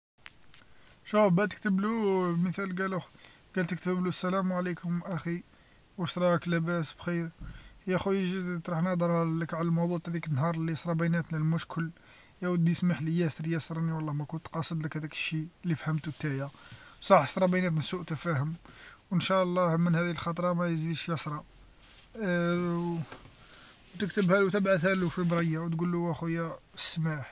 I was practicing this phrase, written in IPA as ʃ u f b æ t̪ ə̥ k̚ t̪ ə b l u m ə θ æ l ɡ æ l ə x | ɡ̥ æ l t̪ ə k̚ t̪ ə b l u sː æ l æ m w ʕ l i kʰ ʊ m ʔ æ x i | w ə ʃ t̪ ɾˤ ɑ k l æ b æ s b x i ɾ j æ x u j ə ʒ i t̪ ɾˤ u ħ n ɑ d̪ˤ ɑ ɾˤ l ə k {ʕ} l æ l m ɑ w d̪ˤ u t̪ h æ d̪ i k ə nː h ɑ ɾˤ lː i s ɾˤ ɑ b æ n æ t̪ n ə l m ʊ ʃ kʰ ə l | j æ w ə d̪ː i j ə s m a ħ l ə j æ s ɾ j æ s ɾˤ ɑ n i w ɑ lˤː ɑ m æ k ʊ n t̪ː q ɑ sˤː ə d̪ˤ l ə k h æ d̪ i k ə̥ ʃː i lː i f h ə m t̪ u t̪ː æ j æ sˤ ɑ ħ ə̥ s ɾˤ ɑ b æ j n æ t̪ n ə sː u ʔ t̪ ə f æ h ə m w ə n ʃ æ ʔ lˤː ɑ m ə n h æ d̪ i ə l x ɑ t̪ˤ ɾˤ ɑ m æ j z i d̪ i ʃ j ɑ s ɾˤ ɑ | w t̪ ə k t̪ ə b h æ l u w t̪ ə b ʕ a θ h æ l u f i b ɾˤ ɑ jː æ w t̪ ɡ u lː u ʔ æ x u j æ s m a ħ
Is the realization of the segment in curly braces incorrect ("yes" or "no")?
no